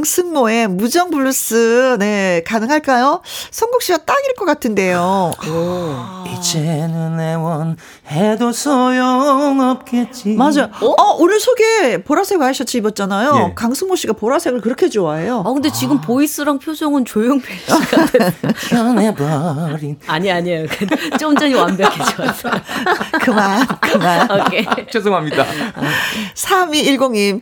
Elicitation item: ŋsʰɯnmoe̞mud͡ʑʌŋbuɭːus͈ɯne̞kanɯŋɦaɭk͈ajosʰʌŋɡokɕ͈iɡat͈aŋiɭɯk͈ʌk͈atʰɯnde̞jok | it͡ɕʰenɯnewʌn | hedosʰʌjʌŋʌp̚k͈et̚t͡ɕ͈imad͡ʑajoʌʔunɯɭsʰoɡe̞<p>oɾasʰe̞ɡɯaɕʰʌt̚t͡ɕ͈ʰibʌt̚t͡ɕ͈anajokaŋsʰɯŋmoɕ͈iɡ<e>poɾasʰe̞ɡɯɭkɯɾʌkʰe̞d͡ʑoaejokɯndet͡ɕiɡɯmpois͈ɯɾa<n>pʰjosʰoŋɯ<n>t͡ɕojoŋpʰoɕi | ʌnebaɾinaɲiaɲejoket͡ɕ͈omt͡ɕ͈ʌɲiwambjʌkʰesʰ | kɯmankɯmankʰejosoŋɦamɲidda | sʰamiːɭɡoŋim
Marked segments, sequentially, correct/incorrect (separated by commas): correct, incorrect, incorrect, correct